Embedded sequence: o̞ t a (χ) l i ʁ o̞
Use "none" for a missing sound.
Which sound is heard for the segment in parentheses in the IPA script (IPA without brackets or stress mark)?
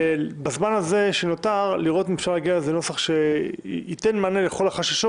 ʁ